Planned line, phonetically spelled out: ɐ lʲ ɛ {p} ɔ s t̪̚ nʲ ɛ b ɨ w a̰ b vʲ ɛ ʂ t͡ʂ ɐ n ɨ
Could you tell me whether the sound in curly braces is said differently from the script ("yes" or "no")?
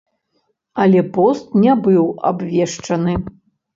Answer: no